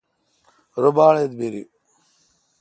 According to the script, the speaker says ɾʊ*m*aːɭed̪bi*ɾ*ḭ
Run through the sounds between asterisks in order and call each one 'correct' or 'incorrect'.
incorrect, correct

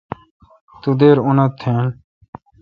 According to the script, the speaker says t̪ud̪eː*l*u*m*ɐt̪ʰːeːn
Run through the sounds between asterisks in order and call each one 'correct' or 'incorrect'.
incorrect, incorrect

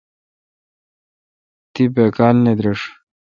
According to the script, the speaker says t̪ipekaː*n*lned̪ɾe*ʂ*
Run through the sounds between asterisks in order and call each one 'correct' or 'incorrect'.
incorrect, correct

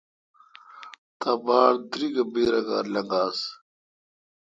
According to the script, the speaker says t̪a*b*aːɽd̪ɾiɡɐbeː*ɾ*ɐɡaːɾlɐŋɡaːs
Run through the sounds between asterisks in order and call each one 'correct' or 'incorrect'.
correct, correct

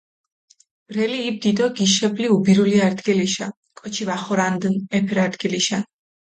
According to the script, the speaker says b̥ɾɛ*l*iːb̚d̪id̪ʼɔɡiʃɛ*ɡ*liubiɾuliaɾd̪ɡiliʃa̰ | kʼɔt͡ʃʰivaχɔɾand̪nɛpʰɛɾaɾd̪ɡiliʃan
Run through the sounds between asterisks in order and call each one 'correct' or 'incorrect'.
correct, incorrect

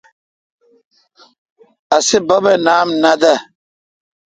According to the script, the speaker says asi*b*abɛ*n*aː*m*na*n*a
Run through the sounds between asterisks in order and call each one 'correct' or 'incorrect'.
correct, correct, correct, incorrect

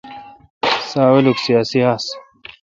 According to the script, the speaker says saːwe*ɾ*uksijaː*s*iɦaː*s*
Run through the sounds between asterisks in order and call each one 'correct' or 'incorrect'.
incorrect, correct, correct

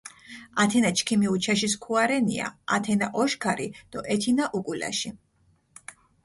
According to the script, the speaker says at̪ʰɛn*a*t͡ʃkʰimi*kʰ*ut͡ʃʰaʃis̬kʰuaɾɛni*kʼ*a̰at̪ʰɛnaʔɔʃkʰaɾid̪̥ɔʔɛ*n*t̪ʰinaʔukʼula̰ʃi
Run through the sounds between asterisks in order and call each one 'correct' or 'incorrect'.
correct, incorrect, incorrect, incorrect

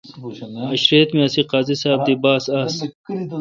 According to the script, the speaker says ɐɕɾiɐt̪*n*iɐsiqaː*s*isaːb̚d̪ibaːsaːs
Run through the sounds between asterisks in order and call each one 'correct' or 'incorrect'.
incorrect, incorrect

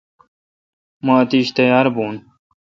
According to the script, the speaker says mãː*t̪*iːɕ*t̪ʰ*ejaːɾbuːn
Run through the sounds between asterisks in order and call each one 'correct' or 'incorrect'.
correct, incorrect

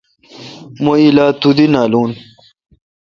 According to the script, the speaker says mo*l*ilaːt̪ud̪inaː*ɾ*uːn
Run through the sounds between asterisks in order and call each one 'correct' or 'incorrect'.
incorrect, incorrect

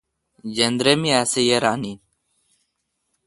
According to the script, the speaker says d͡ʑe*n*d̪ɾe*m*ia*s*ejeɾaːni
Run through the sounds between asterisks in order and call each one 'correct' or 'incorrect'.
correct, correct, correct

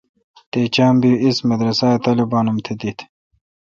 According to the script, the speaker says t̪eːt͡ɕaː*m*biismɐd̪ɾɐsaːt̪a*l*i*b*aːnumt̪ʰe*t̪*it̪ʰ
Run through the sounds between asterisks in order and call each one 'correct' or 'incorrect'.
correct, correct, correct, incorrect

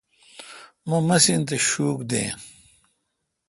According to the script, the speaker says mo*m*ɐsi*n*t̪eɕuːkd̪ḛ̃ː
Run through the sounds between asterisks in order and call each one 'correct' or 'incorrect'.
correct, correct

